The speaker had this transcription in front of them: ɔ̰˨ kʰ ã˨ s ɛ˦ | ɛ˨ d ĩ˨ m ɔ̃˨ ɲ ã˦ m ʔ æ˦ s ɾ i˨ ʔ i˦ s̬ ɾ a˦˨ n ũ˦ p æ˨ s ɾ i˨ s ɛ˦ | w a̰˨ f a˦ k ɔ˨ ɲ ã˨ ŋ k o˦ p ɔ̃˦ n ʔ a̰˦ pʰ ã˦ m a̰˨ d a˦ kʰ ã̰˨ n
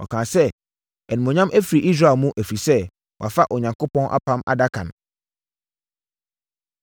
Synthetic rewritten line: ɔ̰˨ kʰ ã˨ s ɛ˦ | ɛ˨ n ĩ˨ m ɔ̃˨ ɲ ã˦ m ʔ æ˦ f ɾ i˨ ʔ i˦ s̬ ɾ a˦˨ m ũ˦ ʔ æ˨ f ɾ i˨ s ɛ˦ | w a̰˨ f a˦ ʔ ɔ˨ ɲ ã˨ ŋ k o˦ p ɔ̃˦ n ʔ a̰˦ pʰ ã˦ m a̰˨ d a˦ kʰ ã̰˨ n